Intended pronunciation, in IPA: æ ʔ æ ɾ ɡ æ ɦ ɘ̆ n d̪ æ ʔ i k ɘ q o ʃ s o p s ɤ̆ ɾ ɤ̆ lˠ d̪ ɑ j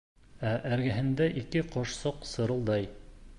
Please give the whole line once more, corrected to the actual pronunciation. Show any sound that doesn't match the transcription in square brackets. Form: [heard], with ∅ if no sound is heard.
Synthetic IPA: æ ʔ æ ɾ ɡ æ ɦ ɘ̆ n d̪ æ ʔ i k ɘ q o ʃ s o [q] s ɤ̆ ɾ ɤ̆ lˠ d̪ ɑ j